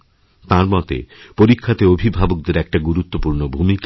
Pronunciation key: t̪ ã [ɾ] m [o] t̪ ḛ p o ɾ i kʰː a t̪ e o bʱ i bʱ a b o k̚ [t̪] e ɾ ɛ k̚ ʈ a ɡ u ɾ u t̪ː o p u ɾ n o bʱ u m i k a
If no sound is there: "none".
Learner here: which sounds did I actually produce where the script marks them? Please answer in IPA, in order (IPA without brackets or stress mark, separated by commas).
ɾ, ɔ, d̪